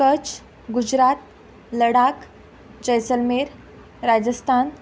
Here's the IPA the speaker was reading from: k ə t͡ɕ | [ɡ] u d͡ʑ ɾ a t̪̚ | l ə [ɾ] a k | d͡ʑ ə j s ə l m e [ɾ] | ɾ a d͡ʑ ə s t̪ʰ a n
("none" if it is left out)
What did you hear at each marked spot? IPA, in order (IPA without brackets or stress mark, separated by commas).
ɡ, ɽ, ɾ